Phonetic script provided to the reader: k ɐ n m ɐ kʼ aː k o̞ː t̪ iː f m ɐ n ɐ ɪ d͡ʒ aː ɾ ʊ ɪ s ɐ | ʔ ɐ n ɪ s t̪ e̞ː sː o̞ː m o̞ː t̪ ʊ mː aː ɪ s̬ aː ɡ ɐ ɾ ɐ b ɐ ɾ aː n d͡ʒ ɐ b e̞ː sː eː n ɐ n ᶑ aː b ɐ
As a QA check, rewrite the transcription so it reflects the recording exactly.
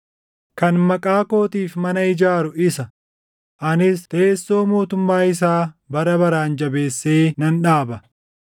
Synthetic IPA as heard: k ɐ n m ɐ kʼ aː k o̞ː t̪ iː f m ɐ n ɐ ɪ d͡ʒ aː ɾ ʊ ɪ s ɐ | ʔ ɐ n ɪ s t̪ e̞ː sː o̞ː m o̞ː t̪ ʊ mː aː ɪ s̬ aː b ɐ ɾ ɐ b ɐ ɾ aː n d͡ʒ ɐ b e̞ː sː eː n ɐ n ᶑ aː b ɐ